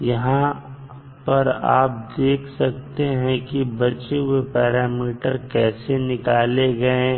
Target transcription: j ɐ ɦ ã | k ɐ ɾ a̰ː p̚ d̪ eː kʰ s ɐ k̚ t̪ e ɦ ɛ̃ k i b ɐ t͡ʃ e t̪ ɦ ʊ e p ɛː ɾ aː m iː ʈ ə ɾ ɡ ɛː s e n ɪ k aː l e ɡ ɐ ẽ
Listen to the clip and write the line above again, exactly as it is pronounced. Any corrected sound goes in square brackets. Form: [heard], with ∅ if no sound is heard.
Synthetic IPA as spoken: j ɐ ɦ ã | [p] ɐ ɾ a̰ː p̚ d̪ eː kʰ s ɐ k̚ t̪ e ɦ ɛ̃ k i b ɐ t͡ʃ e [∅] ɦ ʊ e p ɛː ɾ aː m iː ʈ ə ɾ [k] ɛː s e n ɪ k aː l e ɡ ɐ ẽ